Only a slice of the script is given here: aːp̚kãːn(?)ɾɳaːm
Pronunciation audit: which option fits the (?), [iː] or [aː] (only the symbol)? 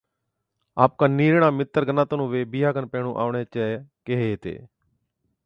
iː